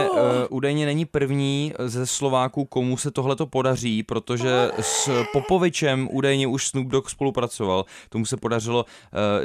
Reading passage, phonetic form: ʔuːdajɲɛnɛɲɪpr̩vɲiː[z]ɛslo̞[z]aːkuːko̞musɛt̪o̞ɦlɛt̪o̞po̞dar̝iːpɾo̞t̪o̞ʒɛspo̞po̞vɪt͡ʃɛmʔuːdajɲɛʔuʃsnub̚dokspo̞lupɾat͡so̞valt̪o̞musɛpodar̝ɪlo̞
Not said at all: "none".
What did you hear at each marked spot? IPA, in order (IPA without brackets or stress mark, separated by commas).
z, v